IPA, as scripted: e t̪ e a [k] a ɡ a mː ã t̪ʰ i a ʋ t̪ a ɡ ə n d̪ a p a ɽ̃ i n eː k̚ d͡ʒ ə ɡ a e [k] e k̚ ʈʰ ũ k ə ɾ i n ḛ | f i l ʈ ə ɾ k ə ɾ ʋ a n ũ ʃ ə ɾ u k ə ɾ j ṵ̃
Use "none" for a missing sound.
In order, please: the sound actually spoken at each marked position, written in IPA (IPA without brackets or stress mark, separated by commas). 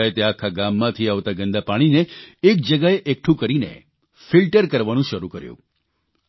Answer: kʰ, ʔ